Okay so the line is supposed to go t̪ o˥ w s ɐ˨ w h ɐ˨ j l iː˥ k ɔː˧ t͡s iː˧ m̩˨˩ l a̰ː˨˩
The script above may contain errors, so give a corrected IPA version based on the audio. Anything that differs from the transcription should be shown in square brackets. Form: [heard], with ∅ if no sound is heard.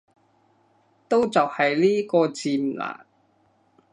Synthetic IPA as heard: t̪ o˥ w [t͡s] ɐ˨ w h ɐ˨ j l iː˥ k ɔː˧ t͡s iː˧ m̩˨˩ l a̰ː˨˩